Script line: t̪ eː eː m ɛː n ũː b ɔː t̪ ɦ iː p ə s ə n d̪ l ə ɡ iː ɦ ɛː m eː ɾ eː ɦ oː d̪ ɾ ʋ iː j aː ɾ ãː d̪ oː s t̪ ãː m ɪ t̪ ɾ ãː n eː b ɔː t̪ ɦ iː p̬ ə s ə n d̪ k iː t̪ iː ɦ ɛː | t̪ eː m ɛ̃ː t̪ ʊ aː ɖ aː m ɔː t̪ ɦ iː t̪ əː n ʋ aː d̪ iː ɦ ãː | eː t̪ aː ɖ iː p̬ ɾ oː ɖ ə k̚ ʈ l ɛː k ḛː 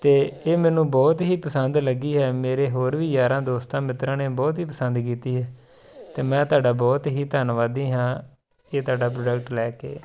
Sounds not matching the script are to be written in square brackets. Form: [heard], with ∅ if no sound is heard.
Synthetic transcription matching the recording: t̪ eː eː m ɛː n ũː b ɔː t̪ ɦ iː p ə s ə n d̪ l ə ɡ iː ɦ ɛː m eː ɾ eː ɦ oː [∅] ɾ ʋ iː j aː ɾ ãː d̪ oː s t̪ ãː m ɪ t̪ ɾ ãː n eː b ɔː t̪ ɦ iː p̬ ə s ə n d̪ k iː t̪ iː ɦ ɛː | t̪ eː m ɛ̃ː t̪ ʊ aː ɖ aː [b] ɔː t̪ ɦ iː t̪ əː n ʋ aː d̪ iː ɦ ãː | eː t̪ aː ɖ [aː] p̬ ɾ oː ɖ ə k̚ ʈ l ɛː k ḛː